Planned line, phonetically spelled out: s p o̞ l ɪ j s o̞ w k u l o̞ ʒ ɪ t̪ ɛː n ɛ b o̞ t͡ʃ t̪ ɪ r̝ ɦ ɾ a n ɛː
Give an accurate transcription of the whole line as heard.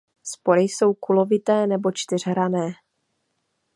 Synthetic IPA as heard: s p o̞ ɾ ɪ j s o̞ w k u l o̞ v ɪ t̪ ɛː n ɛ b o̞ t͡ʃ t̪ ɪ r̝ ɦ ɾ a n ɛː